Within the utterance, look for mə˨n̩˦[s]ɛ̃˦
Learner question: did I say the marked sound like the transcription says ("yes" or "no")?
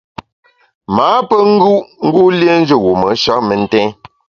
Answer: no